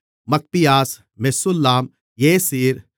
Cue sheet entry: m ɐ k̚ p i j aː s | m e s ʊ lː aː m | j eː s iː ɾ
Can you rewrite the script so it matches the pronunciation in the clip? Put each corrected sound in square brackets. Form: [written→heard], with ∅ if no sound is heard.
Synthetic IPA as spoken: m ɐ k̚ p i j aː s | m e s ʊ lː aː m | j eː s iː ɾ